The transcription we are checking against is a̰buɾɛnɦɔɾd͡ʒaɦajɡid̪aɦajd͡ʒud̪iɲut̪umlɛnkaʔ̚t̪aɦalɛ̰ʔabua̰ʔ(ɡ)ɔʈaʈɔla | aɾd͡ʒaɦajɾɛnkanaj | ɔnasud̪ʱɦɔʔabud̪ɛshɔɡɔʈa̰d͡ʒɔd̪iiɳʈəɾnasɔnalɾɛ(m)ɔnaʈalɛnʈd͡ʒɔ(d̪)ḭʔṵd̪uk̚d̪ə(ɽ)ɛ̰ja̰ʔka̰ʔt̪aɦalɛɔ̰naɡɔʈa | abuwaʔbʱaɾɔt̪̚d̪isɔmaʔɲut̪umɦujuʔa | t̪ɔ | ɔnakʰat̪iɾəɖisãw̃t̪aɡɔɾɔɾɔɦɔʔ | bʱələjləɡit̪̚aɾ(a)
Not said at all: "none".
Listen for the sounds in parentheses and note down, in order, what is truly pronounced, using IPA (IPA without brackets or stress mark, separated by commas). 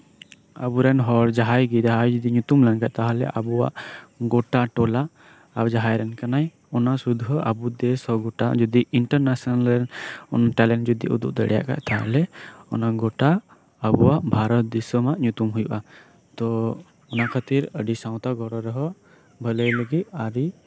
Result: ɡ, n, d̪, ɽ, i